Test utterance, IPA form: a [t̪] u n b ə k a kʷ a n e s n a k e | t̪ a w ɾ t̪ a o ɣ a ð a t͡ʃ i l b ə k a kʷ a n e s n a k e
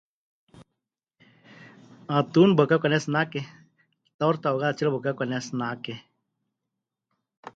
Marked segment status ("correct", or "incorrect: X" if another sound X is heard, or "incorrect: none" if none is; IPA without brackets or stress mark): correct